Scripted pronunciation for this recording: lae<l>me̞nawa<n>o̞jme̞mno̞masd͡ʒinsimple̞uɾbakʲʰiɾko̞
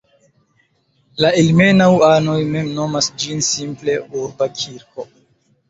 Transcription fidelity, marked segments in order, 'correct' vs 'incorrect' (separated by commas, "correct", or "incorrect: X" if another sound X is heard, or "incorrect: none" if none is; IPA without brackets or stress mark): correct, correct